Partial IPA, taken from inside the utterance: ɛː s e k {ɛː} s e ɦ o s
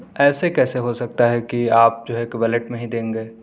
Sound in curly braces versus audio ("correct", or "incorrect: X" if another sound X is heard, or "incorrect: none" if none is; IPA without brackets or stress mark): correct